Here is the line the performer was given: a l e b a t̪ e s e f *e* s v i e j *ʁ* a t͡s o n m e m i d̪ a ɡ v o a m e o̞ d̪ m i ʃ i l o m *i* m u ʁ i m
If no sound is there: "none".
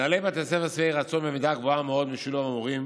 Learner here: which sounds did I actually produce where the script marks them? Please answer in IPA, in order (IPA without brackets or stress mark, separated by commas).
a, ʁ, a